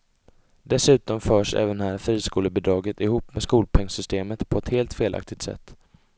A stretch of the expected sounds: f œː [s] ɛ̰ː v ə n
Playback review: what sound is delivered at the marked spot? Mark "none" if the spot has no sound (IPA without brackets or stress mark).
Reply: ʂ